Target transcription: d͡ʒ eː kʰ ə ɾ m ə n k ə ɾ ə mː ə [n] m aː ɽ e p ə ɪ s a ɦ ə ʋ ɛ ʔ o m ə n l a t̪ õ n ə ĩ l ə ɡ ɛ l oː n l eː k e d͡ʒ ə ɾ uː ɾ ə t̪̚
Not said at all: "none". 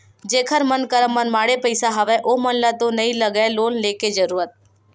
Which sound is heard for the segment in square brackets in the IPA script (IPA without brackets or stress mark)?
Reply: n